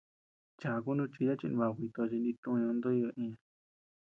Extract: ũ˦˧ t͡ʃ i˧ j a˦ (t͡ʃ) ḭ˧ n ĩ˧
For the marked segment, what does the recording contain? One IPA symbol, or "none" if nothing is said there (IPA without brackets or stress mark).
t͡ʃ